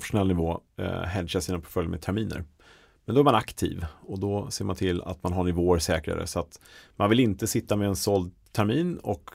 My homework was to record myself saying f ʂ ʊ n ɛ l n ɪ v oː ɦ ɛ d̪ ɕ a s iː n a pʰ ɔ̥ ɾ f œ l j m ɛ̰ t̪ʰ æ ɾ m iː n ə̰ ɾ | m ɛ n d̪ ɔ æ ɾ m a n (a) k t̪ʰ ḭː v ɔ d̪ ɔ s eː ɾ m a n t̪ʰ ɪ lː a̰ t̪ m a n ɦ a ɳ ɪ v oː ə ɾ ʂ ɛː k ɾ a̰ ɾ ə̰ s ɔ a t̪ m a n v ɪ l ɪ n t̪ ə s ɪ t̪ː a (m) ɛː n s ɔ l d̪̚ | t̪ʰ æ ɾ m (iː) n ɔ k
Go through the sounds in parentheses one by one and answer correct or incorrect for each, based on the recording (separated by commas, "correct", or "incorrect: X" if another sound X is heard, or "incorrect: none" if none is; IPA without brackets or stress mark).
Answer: correct, correct, correct